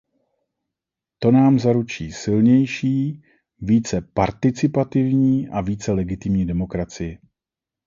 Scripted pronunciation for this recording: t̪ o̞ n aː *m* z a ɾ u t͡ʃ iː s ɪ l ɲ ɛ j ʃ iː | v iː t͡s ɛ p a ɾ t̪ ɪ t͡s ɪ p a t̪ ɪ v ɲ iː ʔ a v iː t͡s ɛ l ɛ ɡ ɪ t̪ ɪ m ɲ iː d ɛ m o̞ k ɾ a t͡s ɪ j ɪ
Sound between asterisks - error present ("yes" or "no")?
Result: no